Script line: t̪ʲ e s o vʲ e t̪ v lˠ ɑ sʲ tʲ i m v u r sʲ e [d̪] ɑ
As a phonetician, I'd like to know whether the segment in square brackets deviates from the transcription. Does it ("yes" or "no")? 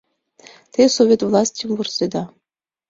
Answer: no